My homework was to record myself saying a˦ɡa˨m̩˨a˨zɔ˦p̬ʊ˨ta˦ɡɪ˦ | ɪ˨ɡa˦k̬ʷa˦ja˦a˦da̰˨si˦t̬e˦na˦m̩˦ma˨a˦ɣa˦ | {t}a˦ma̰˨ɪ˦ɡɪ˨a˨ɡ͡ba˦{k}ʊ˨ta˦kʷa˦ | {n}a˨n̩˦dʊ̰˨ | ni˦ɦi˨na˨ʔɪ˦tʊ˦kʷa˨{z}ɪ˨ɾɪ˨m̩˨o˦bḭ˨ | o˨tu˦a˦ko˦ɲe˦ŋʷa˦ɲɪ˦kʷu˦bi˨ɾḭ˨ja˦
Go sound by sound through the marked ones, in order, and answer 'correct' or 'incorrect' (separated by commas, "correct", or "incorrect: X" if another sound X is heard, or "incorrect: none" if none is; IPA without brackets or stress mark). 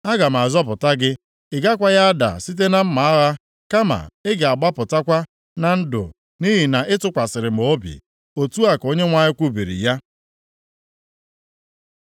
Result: incorrect: k, incorrect: p, correct, incorrect: s